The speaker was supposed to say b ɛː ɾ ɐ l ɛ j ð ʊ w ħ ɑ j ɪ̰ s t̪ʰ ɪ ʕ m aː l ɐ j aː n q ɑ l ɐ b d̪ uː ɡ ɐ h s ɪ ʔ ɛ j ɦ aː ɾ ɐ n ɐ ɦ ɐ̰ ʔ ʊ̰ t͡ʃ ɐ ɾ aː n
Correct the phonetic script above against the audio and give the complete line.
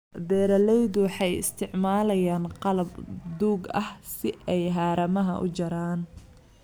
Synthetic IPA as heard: b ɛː ɾ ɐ l ɛ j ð ʊ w ħ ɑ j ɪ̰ s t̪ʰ ɪ ʕ m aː l ɐ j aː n q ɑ l ɐ b d̪ uː ɡ ɐ h s ɪ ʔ ɛ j ɦ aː ɾ ɐ m ɐ ɦ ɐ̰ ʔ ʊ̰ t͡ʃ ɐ ɾ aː n